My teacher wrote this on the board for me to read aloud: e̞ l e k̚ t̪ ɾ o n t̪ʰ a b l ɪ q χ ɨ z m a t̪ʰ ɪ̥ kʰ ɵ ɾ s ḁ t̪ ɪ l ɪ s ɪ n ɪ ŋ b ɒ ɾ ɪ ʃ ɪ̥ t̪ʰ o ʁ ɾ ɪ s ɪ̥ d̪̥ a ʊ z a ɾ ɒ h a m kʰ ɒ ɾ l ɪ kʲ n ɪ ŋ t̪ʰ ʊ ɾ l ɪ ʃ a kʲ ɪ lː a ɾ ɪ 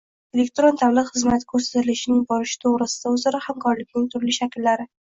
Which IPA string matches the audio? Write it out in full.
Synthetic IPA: e̞ l e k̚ t̪ ɾ o n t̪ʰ a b l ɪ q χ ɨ z m a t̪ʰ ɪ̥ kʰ ɵ ɾ s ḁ t̪ ɪ l ɪ ʃ ɪ n ɪ ŋ b ɒ ɾ ɪ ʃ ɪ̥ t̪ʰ o ʁ ɾ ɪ s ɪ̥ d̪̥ a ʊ z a ɾ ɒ h a m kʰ ɒ ɾ l ɪ kʲ n ɪ ŋ t̪ʰ ʊ ɾ l ɪ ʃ a kʲ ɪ lː a ɾ ɪ